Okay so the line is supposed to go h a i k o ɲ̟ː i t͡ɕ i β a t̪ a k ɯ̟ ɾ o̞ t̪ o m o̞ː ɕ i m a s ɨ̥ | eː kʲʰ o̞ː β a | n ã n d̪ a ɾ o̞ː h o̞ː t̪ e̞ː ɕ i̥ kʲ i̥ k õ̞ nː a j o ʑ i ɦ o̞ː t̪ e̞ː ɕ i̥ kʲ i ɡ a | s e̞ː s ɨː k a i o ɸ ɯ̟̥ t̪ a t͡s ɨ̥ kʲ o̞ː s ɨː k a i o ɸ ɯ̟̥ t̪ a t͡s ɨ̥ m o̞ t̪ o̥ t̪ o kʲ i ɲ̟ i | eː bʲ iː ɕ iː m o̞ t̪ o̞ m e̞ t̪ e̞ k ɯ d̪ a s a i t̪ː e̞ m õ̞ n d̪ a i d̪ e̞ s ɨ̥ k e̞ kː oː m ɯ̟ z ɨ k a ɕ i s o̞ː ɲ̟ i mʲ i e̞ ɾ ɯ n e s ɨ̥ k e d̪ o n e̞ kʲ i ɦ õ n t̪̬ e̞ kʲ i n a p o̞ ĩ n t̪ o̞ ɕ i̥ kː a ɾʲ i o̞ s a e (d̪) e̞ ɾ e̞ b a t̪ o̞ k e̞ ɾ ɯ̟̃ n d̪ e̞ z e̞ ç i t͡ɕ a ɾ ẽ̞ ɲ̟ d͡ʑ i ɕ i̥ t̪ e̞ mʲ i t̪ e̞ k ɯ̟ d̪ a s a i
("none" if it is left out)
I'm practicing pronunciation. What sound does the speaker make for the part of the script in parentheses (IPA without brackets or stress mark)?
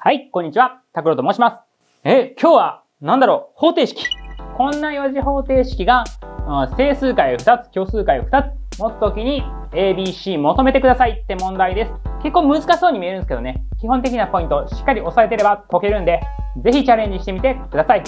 t̪